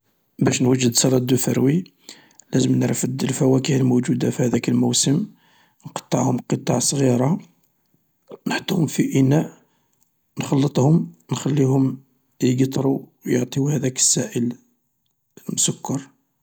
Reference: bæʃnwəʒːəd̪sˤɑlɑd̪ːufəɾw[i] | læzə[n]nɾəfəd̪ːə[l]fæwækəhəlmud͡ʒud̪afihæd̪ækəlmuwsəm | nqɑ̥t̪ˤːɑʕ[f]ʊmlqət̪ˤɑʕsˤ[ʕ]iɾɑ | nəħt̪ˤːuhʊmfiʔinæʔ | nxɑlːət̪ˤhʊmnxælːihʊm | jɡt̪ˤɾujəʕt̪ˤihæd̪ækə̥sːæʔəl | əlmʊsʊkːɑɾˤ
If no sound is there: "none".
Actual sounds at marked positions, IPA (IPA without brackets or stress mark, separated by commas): i, m, l, h, ɣ